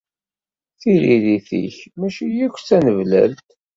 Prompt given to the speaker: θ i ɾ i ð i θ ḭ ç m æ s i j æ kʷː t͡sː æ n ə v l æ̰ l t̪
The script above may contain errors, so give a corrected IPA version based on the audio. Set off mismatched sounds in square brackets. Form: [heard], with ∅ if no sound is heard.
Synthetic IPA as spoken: θ i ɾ i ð i θ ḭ ç m æ [ʃ] i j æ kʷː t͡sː æ n ə v l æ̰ l t̪